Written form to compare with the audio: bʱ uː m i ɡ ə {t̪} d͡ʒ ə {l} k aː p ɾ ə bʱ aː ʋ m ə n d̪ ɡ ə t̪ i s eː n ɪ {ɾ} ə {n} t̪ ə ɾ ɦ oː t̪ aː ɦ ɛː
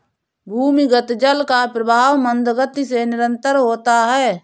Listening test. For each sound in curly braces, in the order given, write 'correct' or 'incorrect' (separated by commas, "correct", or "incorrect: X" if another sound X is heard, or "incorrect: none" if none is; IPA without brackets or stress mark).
correct, correct, correct, correct